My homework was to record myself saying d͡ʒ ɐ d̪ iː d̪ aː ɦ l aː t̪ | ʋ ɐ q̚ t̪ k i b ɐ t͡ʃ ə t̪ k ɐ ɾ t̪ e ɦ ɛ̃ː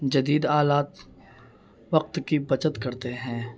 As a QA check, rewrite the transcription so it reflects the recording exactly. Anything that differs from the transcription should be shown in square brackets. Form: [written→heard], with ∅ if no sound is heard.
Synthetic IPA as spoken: d͡ʒ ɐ d̪ iː d̪ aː [ɦ→∅] l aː t̪ | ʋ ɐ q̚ t̪ k i b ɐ t͡ʃ ə t̪ k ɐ ɾ t̪ e ɦ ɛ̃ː